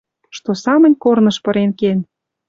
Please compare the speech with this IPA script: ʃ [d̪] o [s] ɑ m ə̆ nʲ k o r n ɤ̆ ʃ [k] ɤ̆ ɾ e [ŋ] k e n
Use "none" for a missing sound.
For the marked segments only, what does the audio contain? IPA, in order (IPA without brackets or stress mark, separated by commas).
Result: t̪, s, p, n